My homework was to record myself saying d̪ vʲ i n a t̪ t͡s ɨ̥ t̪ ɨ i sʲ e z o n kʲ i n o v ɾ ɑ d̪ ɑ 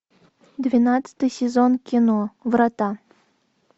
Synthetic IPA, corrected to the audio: d̪ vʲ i n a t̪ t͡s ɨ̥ t̪ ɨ j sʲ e z o n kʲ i n o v ɾ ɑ t̪ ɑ

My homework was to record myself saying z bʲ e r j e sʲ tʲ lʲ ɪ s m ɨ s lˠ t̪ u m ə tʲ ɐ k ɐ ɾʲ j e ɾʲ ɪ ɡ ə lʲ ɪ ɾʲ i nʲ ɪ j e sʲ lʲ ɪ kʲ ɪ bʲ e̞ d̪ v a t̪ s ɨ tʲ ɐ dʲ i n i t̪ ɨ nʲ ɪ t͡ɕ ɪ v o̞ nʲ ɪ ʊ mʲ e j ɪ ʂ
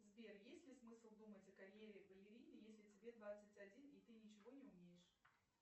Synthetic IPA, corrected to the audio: z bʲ e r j e sʲ tʲ lʲ ɪ s m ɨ s lˠ d̪ u m ə tʲ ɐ k ɐ ɾʲ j e ɾʲ ɪ ɡ ə lʲ ɪ ɾʲ i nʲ ɪ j e sʲ lʲ ɪ tʲ ɪ bʲ e̞ d̪ v a t̪ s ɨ tʲ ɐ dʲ i n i t̪ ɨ nʲ ɪ t͡ɕ ɪ v o̞ nʲ ɪ ʊ mʲ e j ɪ ʂ

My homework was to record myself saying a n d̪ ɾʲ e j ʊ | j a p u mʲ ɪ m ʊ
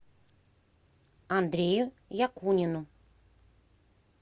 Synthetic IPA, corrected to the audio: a n d̪ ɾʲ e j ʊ | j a k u nʲ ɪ n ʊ

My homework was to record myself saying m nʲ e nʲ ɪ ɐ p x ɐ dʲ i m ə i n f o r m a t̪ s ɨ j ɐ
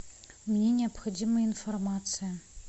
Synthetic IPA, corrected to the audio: m nʲ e nʲ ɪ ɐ p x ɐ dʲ i m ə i n f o r m a t̪ s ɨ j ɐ

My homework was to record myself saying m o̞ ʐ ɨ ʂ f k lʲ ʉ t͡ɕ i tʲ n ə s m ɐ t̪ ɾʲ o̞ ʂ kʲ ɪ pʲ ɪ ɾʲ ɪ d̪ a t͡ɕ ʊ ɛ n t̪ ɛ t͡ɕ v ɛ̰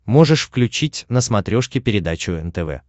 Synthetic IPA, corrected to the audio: m o̞ ʐ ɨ ʂ f k lʲ ʉ t͡ɕ i tʲ n ə s m ɐ t̪ ɾʲ o̞ ʂ kʲ ɪ pʲ ɪ ɾʲ ɪ d̪ a t͡ɕ ʊ ɛ n t̪ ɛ v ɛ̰

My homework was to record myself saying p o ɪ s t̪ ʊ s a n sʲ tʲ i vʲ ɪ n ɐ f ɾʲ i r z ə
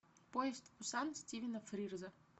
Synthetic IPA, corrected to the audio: p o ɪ s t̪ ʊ s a n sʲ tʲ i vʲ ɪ n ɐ f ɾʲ i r z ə

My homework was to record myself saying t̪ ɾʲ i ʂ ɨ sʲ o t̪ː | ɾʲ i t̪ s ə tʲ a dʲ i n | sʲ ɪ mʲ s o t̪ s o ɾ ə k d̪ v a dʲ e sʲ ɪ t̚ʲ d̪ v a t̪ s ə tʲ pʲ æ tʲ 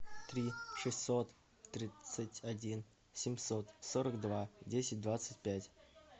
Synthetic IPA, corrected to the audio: t̪ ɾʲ i ʂ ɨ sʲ o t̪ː | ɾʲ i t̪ s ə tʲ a dʲ i n | sʲ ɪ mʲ s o t̪ s o ɾ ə k d̪ v a dʲ e sʲ ɪ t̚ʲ d̪ v a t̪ s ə tʲ pʲ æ tʲ

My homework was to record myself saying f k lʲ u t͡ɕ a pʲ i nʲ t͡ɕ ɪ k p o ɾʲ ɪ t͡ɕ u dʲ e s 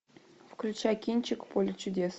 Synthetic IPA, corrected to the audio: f k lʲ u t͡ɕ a kʲ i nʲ t͡ɕ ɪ k p o lʲ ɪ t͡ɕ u dʲ e s

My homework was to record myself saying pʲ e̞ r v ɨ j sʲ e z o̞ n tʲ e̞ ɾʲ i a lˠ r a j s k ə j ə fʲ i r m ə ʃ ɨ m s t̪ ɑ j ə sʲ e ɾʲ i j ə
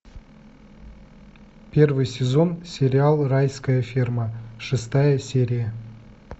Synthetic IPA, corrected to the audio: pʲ e̞ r v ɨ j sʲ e z o̞ n sʲ e̞ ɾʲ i a lˠ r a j s k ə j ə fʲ i r m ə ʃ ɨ s t̪ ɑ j ə sʲ e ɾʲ i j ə

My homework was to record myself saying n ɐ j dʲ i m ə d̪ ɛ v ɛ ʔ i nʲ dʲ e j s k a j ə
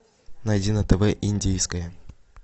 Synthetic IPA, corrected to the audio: n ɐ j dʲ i n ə t̪ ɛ v ɛ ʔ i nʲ dʲ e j s k ə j ə

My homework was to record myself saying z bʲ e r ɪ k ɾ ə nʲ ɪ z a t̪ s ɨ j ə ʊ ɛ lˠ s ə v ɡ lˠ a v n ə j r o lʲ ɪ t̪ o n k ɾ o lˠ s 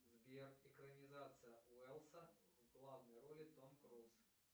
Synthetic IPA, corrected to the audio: z bʲ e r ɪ k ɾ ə nʲ ɪ z a t̪ s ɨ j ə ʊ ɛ lˠ s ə v ɡ lˠ a v n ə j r o lʲ ɪ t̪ o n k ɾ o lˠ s

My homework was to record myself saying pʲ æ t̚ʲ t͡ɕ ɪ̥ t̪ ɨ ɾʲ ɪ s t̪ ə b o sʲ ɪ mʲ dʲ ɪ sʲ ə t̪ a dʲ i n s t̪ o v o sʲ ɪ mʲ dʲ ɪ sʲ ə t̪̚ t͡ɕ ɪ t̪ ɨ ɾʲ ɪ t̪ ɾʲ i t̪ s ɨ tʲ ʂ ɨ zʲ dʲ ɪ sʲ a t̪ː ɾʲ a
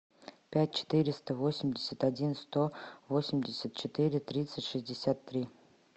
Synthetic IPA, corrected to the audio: pʲ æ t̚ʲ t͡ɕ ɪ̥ t̪ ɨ ɾʲ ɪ s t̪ ə v o sʲ ɪ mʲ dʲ ɪ sʲ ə t̪ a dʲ i n s t̪ o v o sʲ ɪ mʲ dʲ ɪ sʲ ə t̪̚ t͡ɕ ɪ t̪ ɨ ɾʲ ɪ t̪ ɾʲ i t̪ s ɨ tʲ ʂ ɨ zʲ dʲ ɪ sʲ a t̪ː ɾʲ i

